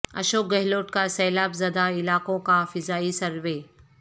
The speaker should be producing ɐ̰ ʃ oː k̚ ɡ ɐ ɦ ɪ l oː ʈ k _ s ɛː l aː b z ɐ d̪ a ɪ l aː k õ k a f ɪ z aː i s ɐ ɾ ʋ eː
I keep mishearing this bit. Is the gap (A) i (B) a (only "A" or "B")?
B